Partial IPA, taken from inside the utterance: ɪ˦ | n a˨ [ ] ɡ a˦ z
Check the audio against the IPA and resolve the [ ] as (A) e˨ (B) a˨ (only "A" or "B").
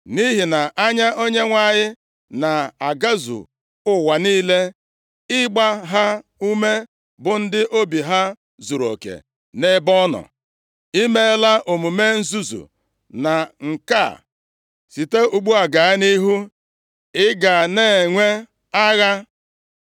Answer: B